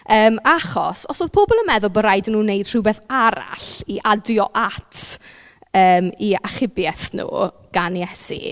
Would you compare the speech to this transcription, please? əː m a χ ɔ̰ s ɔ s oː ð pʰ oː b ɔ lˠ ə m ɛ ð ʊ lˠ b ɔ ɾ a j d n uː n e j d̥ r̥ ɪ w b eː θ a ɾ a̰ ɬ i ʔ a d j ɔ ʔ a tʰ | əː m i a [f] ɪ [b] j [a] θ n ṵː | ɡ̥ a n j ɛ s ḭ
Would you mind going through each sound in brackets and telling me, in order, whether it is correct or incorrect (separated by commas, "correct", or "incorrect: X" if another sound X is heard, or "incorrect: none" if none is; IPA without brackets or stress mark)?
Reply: incorrect: χ, correct, incorrect: ɛ